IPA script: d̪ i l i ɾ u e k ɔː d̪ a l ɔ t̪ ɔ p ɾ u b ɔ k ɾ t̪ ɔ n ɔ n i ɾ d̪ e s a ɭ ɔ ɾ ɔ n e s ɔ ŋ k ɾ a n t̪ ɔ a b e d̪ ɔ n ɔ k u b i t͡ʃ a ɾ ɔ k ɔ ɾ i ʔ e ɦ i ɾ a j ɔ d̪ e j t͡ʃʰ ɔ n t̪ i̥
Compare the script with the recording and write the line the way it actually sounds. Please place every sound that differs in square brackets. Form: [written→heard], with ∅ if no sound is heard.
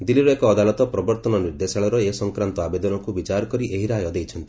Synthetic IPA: d̪ i l i ɾ [u→ɔ] e k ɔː d̪ a l ɔ t̪ ɔ p ɾ [u→ɔ] b ɔ [k→∅] ɾ t̪ ɔ n ɔ n i ɾ d̪ e s a ɭ ɔ ɾ ɔ [n→∅] e s ɔ ŋ k ɾ a n t̪ ɔ a b e d̪ ɔ n ɔ k u b i t͡ʃ a ɾ ɔ k ɔ ɾ i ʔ e ɦ i ɾ a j ɔ d̪ e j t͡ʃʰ ɔ n t̪ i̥